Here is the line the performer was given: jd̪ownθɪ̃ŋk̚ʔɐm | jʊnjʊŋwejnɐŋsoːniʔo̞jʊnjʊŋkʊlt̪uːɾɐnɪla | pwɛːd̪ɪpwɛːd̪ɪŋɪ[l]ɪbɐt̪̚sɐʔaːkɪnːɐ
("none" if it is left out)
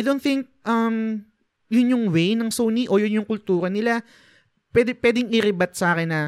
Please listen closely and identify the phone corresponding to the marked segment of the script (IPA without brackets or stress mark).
ɾ